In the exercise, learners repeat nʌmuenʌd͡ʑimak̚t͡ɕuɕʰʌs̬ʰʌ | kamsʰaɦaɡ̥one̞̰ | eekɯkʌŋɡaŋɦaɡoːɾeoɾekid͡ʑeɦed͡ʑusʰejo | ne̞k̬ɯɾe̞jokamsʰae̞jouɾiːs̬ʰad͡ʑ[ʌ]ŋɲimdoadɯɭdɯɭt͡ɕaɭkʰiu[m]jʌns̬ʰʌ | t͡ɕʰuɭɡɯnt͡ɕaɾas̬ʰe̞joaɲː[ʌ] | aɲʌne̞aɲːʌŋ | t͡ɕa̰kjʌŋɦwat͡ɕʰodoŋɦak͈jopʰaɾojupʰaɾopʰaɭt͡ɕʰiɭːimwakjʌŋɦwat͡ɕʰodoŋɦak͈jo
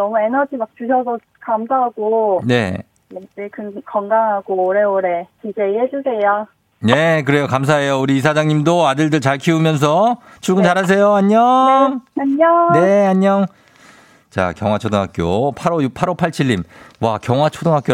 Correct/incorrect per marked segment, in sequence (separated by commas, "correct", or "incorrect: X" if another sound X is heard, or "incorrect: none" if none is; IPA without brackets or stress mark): incorrect: a, correct, correct